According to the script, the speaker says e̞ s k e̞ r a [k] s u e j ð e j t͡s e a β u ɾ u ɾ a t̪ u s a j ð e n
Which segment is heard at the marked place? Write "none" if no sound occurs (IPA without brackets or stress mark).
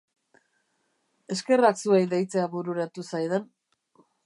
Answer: k